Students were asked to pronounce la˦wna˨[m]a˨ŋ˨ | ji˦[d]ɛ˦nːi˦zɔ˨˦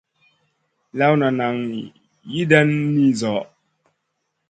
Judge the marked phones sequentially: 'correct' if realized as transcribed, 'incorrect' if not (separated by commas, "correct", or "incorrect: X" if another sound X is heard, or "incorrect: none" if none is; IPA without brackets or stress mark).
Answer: incorrect: n, correct